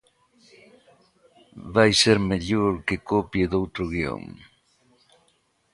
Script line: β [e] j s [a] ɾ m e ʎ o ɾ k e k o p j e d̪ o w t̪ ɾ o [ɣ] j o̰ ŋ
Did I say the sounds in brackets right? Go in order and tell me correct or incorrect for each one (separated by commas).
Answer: incorrect, incorrect, correct